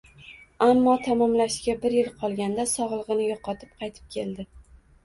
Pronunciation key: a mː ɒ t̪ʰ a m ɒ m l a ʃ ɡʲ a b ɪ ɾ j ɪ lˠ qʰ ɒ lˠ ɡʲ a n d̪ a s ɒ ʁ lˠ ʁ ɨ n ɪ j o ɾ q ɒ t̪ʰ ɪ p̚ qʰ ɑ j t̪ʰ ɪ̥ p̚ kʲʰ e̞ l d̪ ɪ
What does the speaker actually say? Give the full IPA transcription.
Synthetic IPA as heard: a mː ɒ t̪ʰ a m ɒ m l a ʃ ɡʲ a b ɪ ɾ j ɪ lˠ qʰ ɒ lˠ ɡʲ a n d̪ a s ɒ ʁ lˠ ʁ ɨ n ɪ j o q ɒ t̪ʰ ɪ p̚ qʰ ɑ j t̪ʰ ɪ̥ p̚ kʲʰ e̞ l d̪ ɪ